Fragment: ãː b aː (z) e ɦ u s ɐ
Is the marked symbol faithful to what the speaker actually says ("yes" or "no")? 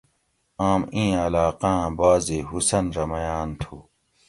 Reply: yes